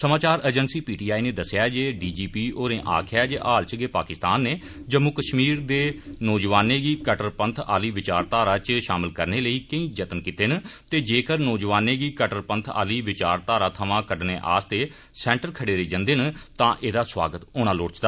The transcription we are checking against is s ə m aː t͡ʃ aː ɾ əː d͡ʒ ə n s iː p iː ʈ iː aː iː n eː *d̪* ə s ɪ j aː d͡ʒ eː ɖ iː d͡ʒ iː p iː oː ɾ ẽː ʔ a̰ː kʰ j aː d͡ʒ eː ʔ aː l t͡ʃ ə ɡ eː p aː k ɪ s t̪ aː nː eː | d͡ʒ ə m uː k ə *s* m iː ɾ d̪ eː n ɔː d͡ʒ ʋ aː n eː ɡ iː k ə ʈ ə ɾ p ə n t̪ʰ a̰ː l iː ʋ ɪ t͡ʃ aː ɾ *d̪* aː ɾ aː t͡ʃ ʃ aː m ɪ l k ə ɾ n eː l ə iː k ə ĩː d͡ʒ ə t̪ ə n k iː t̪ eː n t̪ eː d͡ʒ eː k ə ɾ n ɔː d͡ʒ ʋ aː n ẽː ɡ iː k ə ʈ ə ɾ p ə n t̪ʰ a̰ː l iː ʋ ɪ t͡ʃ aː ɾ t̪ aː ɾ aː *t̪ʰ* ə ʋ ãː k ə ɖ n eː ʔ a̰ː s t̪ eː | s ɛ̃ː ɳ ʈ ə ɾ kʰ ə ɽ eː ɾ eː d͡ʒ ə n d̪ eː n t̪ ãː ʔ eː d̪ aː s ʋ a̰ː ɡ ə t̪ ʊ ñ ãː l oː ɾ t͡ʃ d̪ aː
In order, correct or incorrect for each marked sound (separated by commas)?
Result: correct, incorrect, incorrect, correct